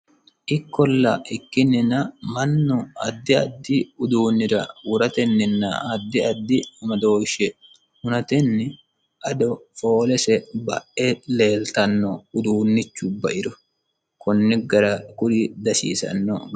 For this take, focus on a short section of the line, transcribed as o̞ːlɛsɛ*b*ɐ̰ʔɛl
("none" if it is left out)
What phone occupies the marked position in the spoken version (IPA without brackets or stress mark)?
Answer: b